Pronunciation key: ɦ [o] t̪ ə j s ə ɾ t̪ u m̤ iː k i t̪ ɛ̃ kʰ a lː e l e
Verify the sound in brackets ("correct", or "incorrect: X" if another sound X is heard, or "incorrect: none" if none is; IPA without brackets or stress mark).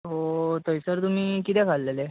correct